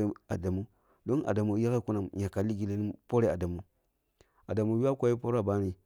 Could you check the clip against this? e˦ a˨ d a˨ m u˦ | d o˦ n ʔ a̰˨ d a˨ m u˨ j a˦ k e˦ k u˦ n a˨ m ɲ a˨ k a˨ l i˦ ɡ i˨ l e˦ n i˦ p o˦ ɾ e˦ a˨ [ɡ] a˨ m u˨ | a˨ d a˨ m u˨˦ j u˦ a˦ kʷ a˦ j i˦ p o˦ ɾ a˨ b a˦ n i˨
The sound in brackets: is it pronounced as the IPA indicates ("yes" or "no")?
no